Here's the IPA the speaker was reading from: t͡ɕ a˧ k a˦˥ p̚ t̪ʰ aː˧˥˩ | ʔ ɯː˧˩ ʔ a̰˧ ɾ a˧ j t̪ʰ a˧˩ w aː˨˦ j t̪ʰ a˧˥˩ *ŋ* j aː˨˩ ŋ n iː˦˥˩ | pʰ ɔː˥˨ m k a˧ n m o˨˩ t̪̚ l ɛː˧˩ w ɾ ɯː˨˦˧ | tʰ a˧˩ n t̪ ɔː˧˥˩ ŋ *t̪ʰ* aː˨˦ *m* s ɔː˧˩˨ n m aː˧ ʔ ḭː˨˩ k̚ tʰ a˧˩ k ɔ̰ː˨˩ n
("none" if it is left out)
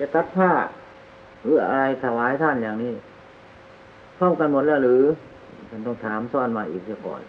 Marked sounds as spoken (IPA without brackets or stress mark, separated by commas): n, t̪ʰ, m